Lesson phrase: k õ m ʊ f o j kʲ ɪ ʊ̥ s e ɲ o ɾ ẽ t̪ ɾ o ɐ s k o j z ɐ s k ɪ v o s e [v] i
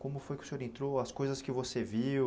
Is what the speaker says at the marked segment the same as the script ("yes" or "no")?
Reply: yes